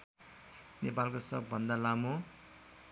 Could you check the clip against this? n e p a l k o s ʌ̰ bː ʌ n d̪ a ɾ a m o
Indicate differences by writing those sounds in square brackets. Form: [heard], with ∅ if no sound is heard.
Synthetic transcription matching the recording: n e p a l k o s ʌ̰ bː ʌ n d̪ a [l] a m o